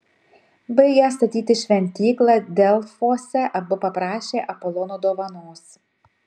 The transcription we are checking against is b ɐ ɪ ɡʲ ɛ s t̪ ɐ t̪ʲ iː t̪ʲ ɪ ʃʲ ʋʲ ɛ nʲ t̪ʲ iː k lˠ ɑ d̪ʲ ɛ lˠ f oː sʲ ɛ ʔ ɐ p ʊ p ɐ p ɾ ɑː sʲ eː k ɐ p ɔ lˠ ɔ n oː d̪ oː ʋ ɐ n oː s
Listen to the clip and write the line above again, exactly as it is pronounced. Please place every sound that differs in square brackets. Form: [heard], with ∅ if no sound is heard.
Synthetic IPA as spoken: b ɐ ɪ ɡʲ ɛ s t̪ ɐ t̪ʲ iː t̪ʲ ɪ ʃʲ ʋʲ ɛ nʲ t̪ʲ iː k lˠ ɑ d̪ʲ ɛ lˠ f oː sʲ ɛ ʔ ɐ [b] ʊ p ɐ p ɾ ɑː [ʃʲ] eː [ʔ] ɐ p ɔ lˠ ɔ n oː d̪ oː ʋ ɐ n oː s